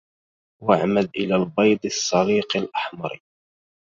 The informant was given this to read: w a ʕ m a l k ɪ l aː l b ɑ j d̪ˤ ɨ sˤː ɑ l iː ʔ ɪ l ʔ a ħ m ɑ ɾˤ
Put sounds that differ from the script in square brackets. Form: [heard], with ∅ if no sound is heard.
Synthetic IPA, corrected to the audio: w a ʕ m a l [ʔ] ɪ l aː l b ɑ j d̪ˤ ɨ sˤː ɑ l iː [q] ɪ l ʔ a ħ m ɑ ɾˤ